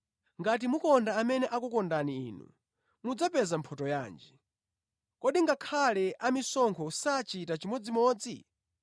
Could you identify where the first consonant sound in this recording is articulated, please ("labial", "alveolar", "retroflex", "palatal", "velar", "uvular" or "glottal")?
velar